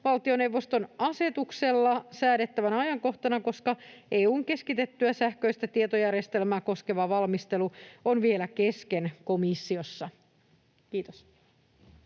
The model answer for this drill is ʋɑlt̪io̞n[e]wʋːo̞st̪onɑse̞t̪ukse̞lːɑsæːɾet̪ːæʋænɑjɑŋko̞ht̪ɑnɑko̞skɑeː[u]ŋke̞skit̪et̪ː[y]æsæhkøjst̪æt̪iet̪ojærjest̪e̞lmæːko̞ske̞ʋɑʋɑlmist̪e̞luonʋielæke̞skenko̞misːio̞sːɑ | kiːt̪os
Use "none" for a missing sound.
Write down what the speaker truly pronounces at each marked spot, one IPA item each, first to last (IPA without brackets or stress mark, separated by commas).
e, uː, y